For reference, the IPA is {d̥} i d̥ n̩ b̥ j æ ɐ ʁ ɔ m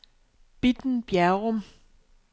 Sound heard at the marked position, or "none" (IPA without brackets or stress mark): b̥